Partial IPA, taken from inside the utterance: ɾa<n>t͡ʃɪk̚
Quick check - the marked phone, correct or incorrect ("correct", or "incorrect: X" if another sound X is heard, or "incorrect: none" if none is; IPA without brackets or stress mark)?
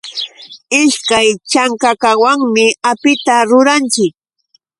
correct